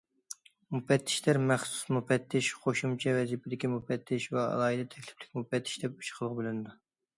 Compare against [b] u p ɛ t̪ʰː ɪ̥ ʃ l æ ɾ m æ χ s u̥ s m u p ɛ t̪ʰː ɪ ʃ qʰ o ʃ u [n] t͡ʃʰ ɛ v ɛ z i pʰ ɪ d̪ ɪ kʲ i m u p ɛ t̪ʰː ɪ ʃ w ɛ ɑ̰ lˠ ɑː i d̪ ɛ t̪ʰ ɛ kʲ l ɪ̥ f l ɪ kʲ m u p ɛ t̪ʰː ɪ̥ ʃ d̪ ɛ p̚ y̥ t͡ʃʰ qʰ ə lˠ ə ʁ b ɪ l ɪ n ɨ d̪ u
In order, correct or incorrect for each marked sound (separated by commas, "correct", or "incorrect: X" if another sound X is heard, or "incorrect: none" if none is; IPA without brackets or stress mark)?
incorrect: m, incorrect: m